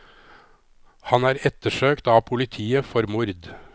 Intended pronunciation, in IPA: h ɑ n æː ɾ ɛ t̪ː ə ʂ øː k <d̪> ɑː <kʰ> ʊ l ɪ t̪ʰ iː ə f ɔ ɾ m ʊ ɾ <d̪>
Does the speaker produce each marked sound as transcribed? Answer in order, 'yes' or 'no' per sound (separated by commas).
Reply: no, no, yes